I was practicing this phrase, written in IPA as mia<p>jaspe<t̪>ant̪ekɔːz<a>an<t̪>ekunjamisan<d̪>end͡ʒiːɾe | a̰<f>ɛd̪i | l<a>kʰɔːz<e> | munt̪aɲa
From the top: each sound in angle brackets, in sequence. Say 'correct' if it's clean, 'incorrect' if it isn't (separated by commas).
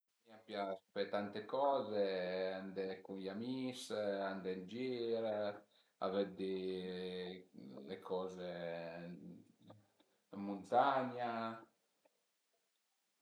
correct, correct, incorrect, incorrect, correct, incorrect, incorrect, correct